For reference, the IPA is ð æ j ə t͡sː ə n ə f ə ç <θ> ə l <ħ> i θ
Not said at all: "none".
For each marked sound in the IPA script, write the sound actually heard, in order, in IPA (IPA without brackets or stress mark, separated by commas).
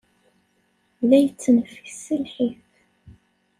s, ħ